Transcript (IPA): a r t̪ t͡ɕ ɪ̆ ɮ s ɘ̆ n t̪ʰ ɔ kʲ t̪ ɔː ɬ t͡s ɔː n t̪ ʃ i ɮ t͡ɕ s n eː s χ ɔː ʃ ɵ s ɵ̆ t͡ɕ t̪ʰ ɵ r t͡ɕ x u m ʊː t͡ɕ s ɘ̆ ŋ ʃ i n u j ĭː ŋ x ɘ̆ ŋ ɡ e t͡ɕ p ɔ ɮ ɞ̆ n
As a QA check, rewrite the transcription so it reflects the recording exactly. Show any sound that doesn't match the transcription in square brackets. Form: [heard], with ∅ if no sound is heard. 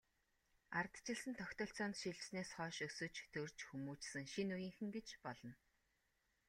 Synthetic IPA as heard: a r t̪ t͡ɕ ɪ̆ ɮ s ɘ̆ n t̪ʰ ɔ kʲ t̪ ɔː ɬ t͡s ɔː n t̪ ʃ i ɮ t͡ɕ s n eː s χ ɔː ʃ ɵ s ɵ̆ t͡ɕ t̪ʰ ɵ r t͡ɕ x u m [uː] t͡ɕ s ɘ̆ ŋ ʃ i n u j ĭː ŋ x ɘ̆ ŋ ɡ e t͡ɕ p ɔ ɮ ɞ̆ n